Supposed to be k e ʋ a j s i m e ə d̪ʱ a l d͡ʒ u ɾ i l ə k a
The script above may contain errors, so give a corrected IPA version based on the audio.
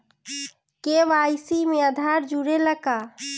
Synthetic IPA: k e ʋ a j s i m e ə d̪ʱ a ɾ d͡ʒ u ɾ e l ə k a